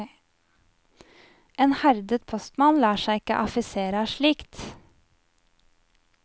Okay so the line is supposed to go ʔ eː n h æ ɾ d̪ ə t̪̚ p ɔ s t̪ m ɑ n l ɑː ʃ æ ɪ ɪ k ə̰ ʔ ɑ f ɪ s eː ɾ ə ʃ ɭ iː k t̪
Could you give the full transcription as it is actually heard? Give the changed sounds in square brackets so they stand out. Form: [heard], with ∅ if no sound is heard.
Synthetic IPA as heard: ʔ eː n h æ ɾ d̪ ə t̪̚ [pʰ] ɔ s t̪ m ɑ n l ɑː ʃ æ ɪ ɪ k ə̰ ʔ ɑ f ɪ s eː ɾ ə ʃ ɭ iː k t̪

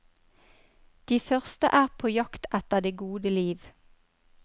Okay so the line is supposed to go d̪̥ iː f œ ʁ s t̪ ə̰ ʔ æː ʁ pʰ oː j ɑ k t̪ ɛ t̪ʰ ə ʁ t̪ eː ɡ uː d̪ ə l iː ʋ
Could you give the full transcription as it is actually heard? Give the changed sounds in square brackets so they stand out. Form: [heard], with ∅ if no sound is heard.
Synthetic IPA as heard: d̪̥ iː f œ ʁ s t̪ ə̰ ʔ æː ʁ pʰ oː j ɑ k t̪ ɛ [t̪] ə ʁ [d̪] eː ɡ uː d̪ ə l iː ʋ

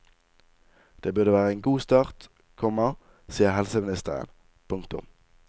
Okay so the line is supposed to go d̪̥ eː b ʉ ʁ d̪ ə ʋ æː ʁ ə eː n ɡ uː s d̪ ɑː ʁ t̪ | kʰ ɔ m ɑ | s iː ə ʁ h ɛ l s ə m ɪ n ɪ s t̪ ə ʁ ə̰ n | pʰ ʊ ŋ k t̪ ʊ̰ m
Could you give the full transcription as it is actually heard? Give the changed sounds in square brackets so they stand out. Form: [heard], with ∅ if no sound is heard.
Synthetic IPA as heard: d̪̥ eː b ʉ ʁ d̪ ə ʋ æː ʁ ə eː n ɡ uː s [t̪] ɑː ʁ t̪ | kʰ ɔ m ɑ | s iː ə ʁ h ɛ l s ə m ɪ n ɪ s t̪ ə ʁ ə̰ n | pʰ ʊ ŋ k t̪ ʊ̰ m

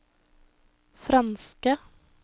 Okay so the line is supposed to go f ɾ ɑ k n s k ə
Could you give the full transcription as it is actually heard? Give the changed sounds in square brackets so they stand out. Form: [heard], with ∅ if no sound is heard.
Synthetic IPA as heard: f ɾ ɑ [∅] n s k ə

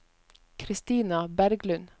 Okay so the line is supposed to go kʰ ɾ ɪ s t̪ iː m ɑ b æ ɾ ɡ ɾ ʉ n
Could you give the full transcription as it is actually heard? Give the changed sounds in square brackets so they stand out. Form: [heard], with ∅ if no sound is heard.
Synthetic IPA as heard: kʰ ɾ ɪ s t̪ iː [n] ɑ b æ ɾ ɡ [l] ʉ n

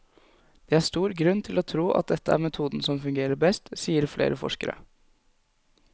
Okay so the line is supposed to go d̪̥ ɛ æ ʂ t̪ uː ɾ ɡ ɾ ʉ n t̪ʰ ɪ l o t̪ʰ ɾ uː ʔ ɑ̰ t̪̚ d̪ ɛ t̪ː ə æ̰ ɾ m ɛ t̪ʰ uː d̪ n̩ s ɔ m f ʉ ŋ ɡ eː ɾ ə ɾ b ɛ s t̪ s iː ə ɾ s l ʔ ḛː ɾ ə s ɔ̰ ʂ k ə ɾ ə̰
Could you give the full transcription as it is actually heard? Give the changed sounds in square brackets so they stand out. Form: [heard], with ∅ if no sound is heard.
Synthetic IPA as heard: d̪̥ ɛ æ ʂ t̪ uː ɾ ɡ ɾ ʉ n t̪ʰ ɪ l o t̪ʰ ɾ uː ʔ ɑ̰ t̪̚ d̪ ɛ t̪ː ə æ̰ ɾ m ɛ t̪ʰ uː d̪ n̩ s ɔ m f ʉ ŋ ɡ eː ɾ ə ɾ b ɛ s t̪ s iː ə ɾ [f] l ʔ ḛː ɾ ə [f] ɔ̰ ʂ k ə ɾ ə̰

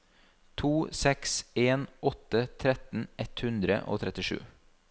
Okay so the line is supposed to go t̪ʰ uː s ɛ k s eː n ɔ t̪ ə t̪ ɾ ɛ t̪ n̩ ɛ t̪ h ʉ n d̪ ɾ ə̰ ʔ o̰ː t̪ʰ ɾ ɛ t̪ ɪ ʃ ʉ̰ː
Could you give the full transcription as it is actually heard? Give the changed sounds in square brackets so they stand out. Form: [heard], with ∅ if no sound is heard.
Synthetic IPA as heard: t̪ʰ uː s ɛ k s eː n ɔ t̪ ə [t̪ʰ] ɾ ɛ t̪ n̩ ɛ t̪ h ʉ n d̪ ɾ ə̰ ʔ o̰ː t̪ʰ ɾ ɛ t̪ ɪ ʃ ʉ̰ː

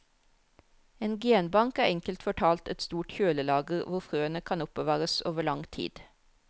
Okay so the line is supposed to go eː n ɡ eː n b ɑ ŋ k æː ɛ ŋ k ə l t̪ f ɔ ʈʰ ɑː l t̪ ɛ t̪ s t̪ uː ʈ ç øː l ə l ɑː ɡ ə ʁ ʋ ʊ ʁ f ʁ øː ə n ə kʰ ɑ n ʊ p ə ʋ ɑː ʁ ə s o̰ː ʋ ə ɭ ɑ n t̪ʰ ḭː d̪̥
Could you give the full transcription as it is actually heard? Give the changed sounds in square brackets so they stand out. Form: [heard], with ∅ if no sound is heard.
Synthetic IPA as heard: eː n ɡ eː n b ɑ ŋ k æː ɛ ŋ k ə l t̪ f ɔ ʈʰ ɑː l t̪ ɛ t̪ s t̪ uː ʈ ç øː l ə l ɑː ɡ ə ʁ ʋ ʊ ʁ f ʁ øː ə n ə kʰ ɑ n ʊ p ə ʋ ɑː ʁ ə s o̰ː ʋ ə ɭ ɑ [ŋ] t̪ʰ ḭː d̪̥

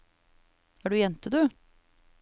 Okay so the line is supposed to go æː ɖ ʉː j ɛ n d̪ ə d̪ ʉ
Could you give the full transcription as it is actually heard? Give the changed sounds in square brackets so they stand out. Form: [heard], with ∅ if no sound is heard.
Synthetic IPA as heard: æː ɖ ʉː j ɛ n [t̪] ə d̪ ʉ

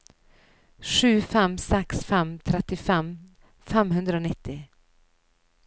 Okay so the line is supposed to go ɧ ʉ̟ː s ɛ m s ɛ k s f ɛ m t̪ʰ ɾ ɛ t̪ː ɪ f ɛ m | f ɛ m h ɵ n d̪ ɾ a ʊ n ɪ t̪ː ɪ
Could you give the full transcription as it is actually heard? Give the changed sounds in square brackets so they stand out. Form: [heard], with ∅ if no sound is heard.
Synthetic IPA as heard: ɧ ʉ̟ː [f] ɛ m s ɛ k s f ɛ m t̪ʰ ɾ ɛ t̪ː ɪ f ɛ m | f ɛ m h ɵ n d̪ ɾ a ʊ n ɪ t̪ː ɪ

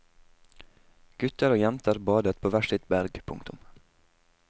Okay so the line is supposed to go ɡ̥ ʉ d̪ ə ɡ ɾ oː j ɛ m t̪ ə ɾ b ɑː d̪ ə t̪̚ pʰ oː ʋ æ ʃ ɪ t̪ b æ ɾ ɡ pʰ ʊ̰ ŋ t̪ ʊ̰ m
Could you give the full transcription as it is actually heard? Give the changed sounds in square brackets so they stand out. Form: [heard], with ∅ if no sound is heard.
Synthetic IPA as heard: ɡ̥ ʉ [t̪] ə [∅] ɾ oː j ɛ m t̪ ə ɾ b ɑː d̪ ə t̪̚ pʰ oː ʋ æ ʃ ɪ t̪ b æ ɾ ɡ pʰ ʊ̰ ŋ t̪ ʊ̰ m

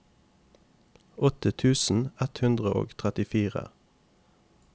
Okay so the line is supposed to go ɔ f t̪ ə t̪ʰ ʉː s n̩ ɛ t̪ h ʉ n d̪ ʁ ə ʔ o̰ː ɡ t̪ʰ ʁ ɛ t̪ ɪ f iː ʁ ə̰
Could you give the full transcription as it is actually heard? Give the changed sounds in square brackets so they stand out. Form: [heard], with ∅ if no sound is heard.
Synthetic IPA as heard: ɔ [∅] t̪ ə t̪ʰ ʉː s n̩ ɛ t̪ h ʉ n d̪ ʁ ə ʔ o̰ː ɡ t̪ʰ ʁ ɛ t̪ ɪ f iː ʁ ə̰

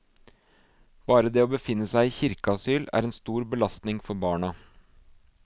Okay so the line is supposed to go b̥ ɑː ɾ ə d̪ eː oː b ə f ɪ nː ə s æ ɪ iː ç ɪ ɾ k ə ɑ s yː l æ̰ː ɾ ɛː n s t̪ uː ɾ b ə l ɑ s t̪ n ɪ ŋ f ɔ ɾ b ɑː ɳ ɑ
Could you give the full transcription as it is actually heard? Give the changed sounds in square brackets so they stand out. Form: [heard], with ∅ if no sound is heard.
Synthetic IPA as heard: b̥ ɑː ɾ ə d̪ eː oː b ə f ɪ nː ə s æ ɪ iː ç ɪ ɾ k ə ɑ s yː l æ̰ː ɾ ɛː n s t̪ uː ɾ b ə l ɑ s t̪ n ɪ ŋ f ɔ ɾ b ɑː ɳ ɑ

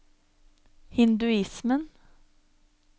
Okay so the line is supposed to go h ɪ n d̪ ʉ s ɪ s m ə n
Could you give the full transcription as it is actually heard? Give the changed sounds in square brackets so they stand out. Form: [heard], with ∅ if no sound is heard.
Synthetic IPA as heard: h ɪ n d̪ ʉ [∅] ɪ s m ə n

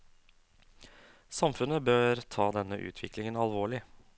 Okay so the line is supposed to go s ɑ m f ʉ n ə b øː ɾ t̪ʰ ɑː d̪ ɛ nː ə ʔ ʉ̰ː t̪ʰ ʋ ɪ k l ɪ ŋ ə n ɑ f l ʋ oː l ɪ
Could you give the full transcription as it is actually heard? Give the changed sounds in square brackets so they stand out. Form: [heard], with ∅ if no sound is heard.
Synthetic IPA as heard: s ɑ m f ʉ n ə b øː ɾ t̪ʰ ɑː d̪ ɛ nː ə ʔ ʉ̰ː t̪ʰ ʋ ɪ k l ɪ ŋ ə n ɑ [∅] l ʋ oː [ɭ] ɪ

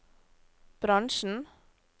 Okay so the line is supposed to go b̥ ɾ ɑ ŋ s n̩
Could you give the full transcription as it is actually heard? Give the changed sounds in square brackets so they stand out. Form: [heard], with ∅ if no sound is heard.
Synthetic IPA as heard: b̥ ɾ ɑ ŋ [ʃ] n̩

